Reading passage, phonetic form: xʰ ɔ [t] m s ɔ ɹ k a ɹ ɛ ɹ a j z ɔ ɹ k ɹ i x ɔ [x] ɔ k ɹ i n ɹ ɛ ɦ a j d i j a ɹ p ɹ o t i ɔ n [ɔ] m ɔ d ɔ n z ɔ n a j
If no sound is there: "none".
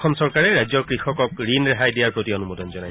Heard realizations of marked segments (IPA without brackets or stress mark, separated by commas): none, k, u